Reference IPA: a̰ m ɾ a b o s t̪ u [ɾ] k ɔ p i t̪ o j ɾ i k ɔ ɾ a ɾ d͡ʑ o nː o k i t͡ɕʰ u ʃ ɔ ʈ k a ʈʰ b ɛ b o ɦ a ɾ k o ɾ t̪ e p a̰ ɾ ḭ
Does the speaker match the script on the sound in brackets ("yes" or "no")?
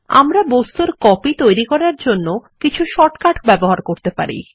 yes